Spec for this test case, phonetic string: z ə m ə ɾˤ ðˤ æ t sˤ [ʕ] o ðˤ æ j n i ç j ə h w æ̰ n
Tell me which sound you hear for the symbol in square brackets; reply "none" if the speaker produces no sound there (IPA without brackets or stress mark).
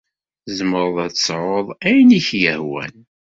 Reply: ʕ